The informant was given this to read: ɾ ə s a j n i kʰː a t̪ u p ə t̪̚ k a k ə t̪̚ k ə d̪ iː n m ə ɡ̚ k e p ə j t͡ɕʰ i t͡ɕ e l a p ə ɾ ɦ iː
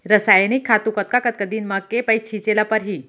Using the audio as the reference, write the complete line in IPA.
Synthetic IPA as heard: ɾ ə s a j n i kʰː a t̪ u k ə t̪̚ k a k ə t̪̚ k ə d̪ iː n m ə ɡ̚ k e p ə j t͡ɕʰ i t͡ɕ e l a p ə ɾ ɦ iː